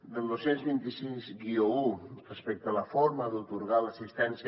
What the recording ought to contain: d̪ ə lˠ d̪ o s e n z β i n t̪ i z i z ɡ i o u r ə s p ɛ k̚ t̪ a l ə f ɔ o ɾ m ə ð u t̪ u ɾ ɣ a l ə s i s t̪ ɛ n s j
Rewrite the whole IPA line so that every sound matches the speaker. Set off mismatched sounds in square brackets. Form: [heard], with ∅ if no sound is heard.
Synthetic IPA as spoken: d̪ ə lˠ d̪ o s e n z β i n t̪ i [s] i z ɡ i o u r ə s p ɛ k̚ t̪ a l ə f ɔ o ɾ m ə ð u t̪ u ɾ ɣ a l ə s i s t̪ ɛ n s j